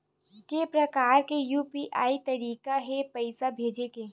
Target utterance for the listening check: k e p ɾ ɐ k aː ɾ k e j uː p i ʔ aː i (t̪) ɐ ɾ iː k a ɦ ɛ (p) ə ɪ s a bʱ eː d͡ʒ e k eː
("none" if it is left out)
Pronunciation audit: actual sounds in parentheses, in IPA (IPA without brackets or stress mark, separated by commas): t̪, p